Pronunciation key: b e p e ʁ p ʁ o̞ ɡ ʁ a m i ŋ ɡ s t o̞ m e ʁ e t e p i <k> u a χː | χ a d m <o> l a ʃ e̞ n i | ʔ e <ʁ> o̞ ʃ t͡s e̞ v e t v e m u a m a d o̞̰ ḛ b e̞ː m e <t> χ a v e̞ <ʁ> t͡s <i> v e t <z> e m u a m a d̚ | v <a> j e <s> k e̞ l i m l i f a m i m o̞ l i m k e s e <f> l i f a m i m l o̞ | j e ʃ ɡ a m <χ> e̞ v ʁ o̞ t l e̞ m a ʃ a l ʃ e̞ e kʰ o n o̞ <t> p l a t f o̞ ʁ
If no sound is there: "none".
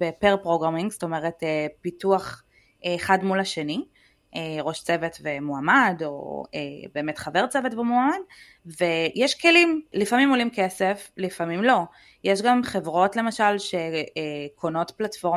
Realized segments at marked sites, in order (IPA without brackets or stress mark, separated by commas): t, u, ʁ, t, ʁ, e, v, e, ʃ, f, χ, t